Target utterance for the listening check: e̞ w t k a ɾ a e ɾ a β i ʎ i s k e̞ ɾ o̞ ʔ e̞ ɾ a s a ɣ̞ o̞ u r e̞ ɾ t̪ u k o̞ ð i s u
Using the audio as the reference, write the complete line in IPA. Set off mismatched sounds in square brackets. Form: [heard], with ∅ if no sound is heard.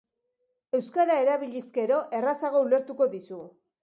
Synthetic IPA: e̞ w [s] k a ɾ a e ɾ a β i ʎ i s k e̞ ɾ o̞ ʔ e̞ [r] a s a ɣ̞ o̞ u [l] e̞ ɾ t̪ u k o̞ ð i s u